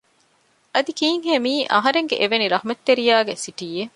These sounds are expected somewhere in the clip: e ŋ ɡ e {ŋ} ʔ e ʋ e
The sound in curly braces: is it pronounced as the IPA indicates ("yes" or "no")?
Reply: no